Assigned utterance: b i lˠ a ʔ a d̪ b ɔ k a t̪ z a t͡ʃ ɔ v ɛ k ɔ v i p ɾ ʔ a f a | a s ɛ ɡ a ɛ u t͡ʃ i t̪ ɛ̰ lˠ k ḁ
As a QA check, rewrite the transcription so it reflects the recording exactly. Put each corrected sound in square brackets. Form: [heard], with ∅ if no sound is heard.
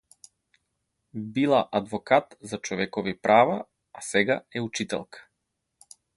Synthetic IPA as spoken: b i lˠ a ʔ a d̪ [v] ɔ k a t̪ z a t͡ʃ ɔ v ɛ k ɔ v i p ɾ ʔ a [v] a | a s ɛ ɡ a ɛ u t͡ʃ i t̪ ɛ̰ lˠ k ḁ